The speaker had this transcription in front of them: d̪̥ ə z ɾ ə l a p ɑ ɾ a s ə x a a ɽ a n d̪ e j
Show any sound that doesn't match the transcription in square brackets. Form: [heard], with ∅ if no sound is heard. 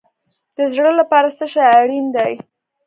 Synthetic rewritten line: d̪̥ ə z [ɽ] ə l a p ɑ ɾ a s ə [ʃ] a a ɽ [i] n d̪ [a] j